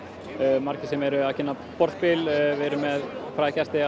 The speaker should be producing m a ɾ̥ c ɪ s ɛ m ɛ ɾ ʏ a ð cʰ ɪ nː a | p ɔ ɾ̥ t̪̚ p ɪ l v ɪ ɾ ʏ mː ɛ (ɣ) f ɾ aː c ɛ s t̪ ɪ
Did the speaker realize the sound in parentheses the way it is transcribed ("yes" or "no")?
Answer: no